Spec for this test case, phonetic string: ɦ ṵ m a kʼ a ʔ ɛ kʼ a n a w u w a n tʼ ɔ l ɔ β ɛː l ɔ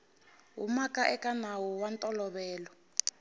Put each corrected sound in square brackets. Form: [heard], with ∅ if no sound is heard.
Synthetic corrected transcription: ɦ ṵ m a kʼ a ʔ ɛ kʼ a n a w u w a n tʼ ɔ l ɔ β ɛː l ɔ